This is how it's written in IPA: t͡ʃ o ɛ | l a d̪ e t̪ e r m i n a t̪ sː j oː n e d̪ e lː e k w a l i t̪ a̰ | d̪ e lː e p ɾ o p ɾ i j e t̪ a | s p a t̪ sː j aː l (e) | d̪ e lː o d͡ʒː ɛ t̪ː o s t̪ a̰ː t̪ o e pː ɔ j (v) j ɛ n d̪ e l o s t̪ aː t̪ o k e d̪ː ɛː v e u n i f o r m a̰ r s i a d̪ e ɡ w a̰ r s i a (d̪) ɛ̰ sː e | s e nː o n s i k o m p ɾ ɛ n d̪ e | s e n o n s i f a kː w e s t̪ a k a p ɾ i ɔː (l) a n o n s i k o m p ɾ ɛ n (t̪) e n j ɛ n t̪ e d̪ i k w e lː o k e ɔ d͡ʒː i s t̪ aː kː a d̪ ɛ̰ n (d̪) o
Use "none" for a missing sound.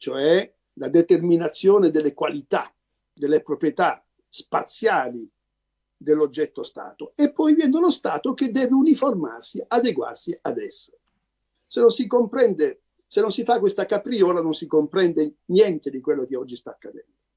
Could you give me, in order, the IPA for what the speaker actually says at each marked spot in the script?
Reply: i, v, d̪, l, d̪, d̪

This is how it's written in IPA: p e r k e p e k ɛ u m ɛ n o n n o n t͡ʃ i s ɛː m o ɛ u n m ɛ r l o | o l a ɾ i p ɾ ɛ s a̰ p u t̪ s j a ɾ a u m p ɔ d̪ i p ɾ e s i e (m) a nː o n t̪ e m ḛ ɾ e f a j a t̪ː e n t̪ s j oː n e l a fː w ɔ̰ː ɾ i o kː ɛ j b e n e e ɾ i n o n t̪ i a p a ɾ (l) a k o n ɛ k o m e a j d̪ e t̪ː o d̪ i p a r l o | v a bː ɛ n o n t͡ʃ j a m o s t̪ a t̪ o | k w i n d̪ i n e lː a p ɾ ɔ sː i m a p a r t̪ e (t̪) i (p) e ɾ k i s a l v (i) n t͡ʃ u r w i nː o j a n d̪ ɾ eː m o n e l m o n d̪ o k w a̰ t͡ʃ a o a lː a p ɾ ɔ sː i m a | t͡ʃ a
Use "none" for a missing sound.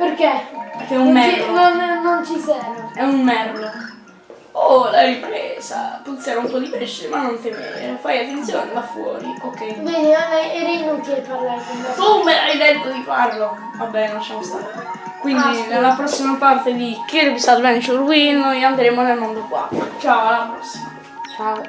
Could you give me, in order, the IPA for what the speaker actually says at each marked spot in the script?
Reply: m, l, d̪, k, ɛ

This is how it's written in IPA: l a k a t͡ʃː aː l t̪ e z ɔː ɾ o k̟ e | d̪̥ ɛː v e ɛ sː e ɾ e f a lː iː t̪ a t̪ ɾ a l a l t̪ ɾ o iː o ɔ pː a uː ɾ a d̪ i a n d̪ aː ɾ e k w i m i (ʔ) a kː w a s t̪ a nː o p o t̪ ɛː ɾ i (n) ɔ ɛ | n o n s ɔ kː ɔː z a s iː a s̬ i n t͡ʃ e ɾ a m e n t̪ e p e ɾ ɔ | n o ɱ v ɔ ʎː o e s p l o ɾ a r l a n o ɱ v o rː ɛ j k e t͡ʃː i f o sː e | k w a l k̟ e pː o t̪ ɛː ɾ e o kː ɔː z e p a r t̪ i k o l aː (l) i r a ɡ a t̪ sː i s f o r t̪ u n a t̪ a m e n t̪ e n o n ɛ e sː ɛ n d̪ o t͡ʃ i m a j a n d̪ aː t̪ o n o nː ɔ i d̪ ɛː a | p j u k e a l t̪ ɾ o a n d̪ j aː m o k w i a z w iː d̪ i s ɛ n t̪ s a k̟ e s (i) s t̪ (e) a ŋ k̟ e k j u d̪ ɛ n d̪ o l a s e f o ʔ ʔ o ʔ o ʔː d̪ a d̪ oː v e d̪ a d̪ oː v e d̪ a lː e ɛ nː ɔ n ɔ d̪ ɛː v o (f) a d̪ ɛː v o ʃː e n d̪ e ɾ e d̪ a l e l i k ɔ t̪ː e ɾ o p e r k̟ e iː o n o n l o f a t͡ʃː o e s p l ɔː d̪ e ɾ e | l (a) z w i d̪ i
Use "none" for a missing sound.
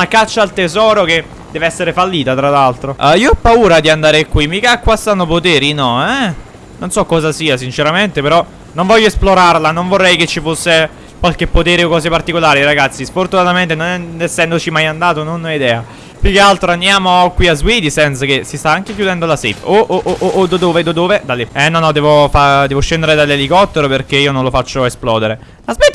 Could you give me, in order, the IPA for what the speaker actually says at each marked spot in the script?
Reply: k, n, ɾ, i, a, f, a

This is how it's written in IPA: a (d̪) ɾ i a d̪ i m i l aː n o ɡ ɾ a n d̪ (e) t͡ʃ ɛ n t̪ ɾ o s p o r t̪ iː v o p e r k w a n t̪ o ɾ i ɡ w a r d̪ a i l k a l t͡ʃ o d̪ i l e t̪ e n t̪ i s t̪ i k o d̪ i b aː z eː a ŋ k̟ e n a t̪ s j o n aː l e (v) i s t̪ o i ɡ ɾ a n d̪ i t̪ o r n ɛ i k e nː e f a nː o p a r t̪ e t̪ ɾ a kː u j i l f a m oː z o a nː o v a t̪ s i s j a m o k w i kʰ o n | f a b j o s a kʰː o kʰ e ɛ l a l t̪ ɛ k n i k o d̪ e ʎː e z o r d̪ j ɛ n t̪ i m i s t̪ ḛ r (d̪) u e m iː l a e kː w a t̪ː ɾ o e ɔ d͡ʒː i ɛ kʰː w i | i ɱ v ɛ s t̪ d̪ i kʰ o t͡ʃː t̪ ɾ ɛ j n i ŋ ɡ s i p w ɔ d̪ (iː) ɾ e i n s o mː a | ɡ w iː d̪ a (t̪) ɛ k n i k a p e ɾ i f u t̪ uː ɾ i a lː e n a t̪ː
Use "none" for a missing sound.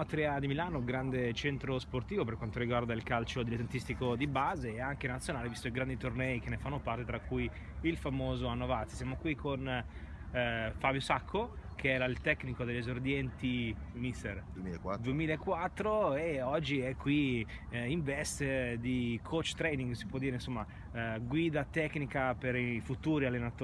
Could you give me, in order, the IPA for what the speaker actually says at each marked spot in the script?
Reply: t̪, e, v, d̪, iː, t̪

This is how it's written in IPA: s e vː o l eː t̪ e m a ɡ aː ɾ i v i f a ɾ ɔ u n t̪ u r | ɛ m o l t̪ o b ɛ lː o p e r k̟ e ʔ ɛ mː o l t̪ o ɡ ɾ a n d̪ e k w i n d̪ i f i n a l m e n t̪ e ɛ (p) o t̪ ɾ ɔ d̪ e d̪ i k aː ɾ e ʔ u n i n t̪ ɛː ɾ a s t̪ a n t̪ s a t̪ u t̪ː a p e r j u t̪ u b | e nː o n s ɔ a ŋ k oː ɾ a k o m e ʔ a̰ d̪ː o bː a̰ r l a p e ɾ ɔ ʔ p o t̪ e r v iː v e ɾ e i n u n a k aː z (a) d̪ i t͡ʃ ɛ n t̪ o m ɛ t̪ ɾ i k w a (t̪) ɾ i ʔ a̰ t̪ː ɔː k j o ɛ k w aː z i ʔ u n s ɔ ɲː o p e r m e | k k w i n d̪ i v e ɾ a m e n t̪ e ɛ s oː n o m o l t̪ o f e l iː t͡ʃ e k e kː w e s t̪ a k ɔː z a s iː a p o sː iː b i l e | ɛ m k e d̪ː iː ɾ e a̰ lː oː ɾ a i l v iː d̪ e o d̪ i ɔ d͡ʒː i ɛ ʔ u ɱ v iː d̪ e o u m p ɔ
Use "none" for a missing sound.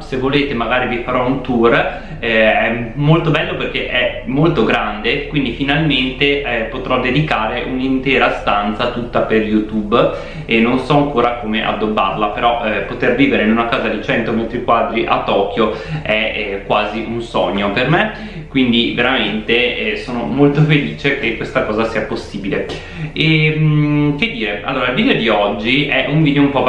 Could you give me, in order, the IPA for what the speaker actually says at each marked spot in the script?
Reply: p, a, d̪

